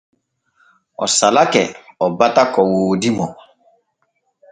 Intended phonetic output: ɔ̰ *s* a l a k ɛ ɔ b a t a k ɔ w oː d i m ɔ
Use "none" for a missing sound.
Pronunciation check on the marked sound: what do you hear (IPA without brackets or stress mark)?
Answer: s